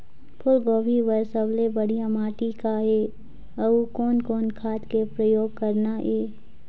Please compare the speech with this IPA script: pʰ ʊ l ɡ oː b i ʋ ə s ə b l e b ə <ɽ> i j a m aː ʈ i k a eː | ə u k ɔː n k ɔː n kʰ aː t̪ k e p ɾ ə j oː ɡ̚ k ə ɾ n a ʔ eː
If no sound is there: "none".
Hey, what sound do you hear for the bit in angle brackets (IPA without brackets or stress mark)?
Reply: ɽ